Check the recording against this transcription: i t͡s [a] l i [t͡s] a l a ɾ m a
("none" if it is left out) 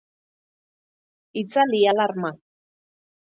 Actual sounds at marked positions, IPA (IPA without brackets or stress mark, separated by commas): a, none